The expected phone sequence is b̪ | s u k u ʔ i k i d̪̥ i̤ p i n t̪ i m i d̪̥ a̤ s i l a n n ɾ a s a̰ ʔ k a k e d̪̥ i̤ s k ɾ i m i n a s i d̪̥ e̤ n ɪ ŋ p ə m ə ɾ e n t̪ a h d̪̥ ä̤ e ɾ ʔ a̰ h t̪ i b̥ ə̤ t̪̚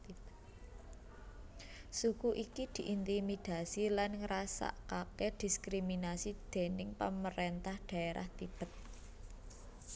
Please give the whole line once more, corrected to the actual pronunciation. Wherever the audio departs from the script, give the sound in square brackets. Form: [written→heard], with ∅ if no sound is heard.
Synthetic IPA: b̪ | s u k u ʔ i k i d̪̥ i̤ [p→ʔ] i n t̪ i m i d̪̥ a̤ s i l a n [n→ŋ] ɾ a s a̰ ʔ k a k e d̪̥ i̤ s k ɾ i m i n a s i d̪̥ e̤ n ɪ ŋ p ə m ə ɾ e n t̪ a h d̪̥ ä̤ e ɾ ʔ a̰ h t̪ i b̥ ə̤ t̪̚